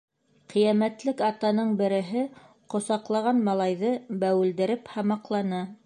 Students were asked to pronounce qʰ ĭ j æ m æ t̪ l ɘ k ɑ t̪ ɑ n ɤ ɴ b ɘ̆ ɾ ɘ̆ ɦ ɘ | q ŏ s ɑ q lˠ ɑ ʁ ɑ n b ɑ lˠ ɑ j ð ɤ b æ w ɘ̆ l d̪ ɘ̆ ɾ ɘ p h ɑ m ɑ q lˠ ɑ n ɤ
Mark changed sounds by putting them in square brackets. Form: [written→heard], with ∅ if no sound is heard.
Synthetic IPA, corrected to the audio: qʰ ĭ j æ m æ t̪ l ɘ k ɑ t̪ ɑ n ɤ ɴ b ɘ̆ ɾ ɘ̆ ɦ ɘ | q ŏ s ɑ q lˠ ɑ ʁ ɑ n [b→m] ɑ lˠ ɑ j ð ɤ b æ w ɘ̆ l d̪ ɘ̆ ɾ ɘ p h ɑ m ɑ q lˠ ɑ n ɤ